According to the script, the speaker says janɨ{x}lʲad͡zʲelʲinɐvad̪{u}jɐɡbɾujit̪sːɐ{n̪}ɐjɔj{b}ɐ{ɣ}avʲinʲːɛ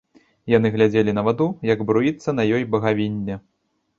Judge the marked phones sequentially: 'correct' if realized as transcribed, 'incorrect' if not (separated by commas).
incorrect, correct, correct, correct, correct